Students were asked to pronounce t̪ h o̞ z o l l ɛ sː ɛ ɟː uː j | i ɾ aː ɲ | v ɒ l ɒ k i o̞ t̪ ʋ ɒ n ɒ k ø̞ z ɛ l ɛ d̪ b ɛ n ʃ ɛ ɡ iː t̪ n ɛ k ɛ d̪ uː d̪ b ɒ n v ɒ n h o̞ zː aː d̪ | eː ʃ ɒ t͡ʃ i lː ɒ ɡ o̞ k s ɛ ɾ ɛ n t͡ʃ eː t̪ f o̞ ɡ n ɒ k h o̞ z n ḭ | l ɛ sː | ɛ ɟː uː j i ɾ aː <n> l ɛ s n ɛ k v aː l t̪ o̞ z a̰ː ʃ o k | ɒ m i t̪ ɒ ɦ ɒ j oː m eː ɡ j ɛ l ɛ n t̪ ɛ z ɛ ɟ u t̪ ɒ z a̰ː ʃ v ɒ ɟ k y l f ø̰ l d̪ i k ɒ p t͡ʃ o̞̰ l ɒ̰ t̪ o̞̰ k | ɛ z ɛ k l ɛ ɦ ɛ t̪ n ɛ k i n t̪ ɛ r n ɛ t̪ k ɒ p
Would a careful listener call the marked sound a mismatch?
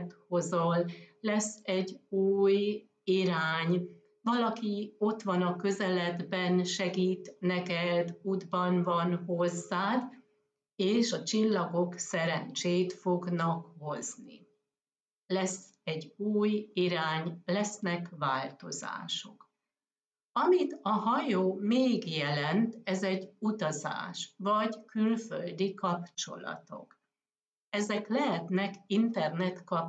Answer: yes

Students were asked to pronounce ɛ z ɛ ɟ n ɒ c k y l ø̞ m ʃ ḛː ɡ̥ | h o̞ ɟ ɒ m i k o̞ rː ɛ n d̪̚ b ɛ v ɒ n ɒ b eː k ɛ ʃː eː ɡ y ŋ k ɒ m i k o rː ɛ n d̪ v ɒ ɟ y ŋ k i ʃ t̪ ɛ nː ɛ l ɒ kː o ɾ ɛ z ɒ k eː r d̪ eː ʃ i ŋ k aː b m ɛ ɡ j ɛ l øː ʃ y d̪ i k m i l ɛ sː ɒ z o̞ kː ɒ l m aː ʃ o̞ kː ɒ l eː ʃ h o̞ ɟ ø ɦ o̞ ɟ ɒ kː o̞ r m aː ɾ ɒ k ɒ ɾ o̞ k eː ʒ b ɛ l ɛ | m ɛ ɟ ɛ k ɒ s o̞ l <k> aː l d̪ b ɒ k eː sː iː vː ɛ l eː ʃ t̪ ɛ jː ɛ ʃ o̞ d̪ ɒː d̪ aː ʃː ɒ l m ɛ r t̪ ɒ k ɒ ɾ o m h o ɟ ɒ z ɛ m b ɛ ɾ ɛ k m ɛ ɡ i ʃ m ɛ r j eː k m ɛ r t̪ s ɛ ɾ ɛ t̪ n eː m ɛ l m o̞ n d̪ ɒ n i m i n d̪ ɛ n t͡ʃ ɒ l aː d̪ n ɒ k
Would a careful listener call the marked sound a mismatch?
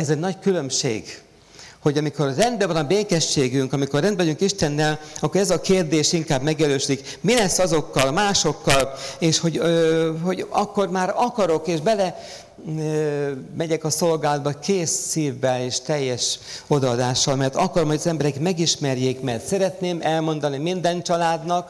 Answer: yes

